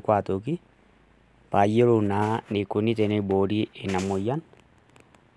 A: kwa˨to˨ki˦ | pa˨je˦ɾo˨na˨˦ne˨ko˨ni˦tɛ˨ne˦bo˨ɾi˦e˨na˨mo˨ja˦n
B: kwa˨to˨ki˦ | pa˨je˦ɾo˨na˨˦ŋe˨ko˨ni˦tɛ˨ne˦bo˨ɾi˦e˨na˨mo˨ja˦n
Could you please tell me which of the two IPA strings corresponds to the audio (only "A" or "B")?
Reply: A